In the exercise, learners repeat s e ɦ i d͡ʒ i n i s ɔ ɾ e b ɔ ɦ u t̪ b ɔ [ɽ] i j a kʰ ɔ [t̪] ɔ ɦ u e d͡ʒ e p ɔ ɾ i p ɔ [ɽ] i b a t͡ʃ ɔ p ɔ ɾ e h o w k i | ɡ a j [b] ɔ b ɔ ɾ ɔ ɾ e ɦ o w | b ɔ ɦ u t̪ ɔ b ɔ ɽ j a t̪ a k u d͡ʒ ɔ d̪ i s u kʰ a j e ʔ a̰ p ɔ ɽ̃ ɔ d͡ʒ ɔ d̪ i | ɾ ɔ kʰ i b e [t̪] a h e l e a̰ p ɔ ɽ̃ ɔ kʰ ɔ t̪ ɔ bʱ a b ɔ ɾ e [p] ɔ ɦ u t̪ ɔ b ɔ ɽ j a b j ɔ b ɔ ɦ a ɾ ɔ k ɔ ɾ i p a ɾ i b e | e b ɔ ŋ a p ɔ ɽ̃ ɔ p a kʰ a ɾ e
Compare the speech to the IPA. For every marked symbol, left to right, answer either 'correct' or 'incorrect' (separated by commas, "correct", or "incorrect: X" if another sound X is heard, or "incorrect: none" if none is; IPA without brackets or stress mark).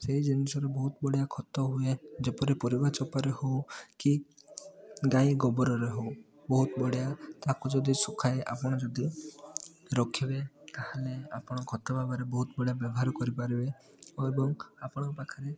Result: correct, correct, incorrect: ɾ, incorrect: ɡ, correct, incorrect: b